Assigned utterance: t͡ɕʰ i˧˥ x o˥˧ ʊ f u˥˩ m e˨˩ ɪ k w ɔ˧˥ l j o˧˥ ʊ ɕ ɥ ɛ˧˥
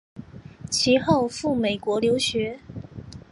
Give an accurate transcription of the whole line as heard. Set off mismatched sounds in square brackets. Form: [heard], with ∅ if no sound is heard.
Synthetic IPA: t͡ɕʰ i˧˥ x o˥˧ ʊ f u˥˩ m e˨˩ ɪ k w ɔ˧˥ l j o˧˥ ʊ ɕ ɥ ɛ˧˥

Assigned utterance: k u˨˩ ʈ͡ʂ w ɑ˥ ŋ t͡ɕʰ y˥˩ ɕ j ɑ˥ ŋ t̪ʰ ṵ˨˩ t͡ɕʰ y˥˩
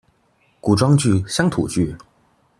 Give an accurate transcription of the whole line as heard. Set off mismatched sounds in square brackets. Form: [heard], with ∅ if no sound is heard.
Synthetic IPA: k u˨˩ ʈ͡ʂ w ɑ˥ ŋ [t͡ɕ] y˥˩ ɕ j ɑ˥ ŋ t̪ʰ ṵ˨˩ [t͡ɕ] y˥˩

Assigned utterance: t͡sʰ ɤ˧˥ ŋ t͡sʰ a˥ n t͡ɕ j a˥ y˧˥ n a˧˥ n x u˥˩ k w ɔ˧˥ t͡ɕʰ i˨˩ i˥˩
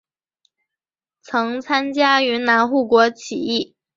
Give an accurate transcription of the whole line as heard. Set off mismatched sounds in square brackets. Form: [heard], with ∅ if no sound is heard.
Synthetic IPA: t͡sʰ ɤ˧˥ ŋ t͡sʰ a˥ n t͡ɕ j a˥ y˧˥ n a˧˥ n x u˥˩ k w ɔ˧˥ t͡ɕʰ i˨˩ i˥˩

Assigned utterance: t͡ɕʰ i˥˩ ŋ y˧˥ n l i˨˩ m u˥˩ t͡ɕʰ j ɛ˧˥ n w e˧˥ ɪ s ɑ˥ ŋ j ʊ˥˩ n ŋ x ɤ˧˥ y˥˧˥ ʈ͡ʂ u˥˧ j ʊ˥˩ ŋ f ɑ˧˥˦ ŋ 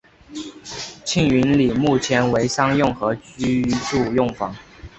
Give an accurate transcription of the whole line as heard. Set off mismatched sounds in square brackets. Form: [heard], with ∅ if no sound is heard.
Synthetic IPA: t͡ɕʰ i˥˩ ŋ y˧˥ n l i˨˩ m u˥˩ t͡ɕʰ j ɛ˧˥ n w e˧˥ ɪ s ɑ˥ ŋ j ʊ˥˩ [∅] ŋ x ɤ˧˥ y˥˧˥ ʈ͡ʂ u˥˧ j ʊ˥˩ ŋ f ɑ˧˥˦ ŋ

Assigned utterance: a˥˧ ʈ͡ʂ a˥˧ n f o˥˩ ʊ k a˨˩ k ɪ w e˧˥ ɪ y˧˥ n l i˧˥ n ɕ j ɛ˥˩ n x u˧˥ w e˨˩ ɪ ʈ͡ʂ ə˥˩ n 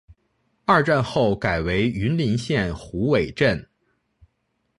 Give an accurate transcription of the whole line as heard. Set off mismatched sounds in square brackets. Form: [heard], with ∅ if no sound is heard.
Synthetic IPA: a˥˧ ʈ͡ʂ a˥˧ n [x] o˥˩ ʊ k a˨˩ [∅] ɪ w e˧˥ ɪ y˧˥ n l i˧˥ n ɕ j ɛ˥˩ n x u˧˥ w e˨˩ ɪ ʈ͡ʂ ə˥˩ n

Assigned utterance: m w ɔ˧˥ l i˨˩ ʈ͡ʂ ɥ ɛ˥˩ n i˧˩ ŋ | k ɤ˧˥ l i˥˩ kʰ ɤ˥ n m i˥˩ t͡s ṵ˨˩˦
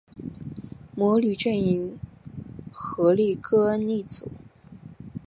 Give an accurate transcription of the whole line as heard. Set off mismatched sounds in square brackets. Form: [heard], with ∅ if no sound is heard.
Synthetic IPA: m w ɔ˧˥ l [y˨˩] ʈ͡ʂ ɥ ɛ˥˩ n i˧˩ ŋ | [x] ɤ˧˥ l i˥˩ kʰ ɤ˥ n [n] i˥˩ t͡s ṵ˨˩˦

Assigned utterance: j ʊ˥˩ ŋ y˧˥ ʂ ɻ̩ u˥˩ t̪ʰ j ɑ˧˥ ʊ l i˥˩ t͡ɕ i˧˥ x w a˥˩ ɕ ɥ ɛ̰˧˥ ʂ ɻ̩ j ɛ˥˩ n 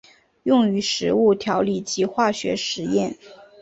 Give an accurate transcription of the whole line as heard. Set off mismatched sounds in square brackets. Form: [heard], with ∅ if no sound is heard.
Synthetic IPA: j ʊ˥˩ ŋ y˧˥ ʂ ɻ̩ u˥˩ t̪ʰ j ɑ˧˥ ʊ l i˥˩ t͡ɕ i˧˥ x w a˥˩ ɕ ɥ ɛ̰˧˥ ʂ ɻ̩ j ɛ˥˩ n

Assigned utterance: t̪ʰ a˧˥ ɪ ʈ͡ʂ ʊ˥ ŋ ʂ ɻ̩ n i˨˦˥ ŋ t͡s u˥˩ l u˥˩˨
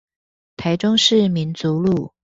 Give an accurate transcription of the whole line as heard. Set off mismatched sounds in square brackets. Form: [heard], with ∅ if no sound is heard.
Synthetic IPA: t̪ʰ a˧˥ ɪ ʈ͡ʂ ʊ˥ ŋ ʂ ɻ̩ [m] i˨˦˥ [n] t͡s [u˨˦] l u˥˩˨

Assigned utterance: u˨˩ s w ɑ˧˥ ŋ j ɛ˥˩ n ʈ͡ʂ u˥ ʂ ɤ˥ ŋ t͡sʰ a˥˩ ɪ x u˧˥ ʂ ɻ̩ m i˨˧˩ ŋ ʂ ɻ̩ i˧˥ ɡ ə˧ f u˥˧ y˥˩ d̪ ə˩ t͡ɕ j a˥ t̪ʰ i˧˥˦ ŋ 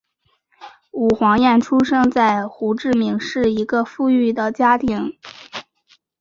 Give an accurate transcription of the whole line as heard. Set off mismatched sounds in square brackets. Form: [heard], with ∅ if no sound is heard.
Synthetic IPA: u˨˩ [x] w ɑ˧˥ ŋ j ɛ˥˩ n [ʈ͡ʂʰ] u˥ ʂ ɤ˥ ŋ [t͡s] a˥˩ ɪ x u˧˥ [ʈ͡ʂ] ɻ̩ m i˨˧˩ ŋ ʂ ɻ̩ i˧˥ ɡ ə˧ f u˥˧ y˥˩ d̪ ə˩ t͡ɕ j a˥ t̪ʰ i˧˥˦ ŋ

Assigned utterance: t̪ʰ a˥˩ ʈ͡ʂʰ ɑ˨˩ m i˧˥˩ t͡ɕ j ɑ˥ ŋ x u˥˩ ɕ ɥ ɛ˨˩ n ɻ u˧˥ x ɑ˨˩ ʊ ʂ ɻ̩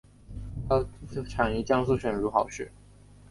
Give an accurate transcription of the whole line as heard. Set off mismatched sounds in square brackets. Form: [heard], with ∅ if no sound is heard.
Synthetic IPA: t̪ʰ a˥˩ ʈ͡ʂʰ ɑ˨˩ [ŋ] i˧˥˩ t͡ɕ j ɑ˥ ŋ [s] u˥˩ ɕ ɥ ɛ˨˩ n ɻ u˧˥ x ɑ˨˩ ʊ ʂ ɻ̩

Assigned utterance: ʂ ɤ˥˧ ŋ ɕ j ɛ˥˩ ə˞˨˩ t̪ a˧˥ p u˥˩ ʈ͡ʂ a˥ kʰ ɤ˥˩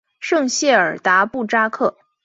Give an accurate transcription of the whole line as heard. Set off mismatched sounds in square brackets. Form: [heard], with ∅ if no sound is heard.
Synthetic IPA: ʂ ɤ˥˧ ŋ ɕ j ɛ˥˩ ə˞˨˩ t̪ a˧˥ p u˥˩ ʈ͡ʂ a˥ kʰ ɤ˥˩

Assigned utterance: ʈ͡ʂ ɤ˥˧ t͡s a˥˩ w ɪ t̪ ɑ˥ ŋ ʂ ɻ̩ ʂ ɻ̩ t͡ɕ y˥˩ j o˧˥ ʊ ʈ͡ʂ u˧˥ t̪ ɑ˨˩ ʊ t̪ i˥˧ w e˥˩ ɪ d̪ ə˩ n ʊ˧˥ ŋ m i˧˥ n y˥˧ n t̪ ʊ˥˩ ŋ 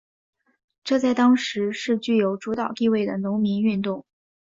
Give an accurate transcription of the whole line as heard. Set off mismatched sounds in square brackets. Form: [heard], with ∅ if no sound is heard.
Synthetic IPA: ʈ͡ʂ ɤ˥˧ t͡s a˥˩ [∅] ɪ t̪ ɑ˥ ŋ ʂ ɻ̩ ʂ ɻ̩ t͡ɕ y˥˩ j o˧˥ ʊ ʈ͡ʂ u˧˥ t̪ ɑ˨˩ ʊ t̪ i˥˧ w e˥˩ ɪ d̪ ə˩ n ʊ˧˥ ŋ m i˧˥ n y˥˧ n t̪ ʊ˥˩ ŋ

